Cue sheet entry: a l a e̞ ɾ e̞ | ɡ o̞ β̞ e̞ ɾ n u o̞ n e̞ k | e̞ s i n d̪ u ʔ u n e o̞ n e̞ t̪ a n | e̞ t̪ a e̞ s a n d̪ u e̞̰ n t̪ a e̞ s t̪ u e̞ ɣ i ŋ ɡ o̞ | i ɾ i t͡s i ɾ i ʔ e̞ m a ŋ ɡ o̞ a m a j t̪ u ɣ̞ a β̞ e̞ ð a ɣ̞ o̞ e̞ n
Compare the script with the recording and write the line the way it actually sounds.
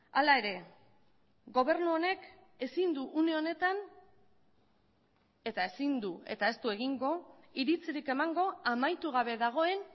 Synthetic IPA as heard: a l a e̞ ɾ e̞ | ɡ o̞ β̞ e̞ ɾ n u o̞ n e̞ k | e̞ s i n d̪ u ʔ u n e o̞ n e̞ t̪ a n | e̞ t̪ a e̞ s i n d̪ u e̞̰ t̪ a e̞ s t̪ u e̞ ɣ i ŋ ɡ o̞ | i ɾ i t͡s i ɾ i k e̞ m a ŋ ɡ o̞ a m a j t̪ u ɣ̞ a β̞ e̞ ð a ɣ̞ o̞ e̞ n